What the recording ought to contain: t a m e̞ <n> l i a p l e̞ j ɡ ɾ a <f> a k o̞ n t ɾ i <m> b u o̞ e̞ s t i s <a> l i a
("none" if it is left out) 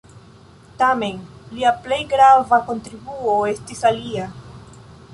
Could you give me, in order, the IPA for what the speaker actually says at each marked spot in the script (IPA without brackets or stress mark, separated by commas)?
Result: n, v, none, a